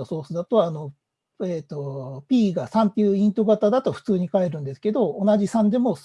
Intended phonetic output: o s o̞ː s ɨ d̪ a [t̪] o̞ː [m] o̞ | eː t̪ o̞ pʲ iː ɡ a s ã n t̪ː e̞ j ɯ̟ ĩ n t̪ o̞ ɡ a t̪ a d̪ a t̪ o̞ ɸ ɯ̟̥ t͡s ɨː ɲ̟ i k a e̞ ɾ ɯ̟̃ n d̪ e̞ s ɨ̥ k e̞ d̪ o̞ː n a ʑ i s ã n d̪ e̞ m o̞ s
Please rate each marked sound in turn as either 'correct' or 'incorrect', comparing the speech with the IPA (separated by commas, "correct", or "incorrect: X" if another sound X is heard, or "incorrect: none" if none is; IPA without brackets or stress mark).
correct, incorrect: n